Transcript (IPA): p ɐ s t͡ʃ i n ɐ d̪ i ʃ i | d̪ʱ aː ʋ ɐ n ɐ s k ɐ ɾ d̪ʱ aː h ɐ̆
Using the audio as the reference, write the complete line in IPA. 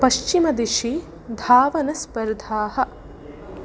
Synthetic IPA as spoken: p ɐ ʃ t͡ʃ i m ɐ d̪ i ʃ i | d̪ʱ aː ʋ ɐ n ɐ s p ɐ ɾ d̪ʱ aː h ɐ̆